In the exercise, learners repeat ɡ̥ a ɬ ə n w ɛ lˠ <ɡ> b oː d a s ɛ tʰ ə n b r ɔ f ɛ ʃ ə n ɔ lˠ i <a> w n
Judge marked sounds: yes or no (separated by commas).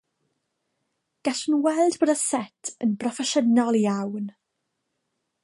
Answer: no, yes